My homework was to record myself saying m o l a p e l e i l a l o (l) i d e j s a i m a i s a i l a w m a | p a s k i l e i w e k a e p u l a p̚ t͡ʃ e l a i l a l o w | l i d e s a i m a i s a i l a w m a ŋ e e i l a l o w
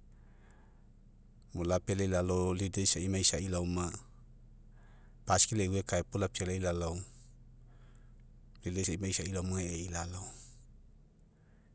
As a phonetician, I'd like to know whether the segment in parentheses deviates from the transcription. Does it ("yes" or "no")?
no